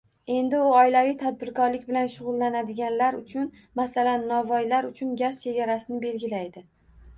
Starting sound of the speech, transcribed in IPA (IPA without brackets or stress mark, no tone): e̞